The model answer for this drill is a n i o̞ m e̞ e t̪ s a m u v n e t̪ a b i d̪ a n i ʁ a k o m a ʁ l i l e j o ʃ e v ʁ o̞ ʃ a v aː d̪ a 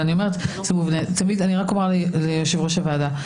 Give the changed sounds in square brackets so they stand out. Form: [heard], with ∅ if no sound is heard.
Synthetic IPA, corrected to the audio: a n i o̞ m e̞ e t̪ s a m u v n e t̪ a [m] i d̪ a n i ʁ a k o m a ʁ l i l e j o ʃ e v ʁ o̞ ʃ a v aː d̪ a